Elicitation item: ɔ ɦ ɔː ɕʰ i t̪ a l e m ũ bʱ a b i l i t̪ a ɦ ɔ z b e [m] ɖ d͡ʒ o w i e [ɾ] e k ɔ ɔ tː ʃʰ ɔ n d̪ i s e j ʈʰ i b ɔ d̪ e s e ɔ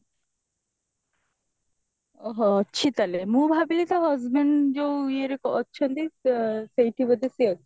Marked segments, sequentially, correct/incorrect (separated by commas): incorrect, correct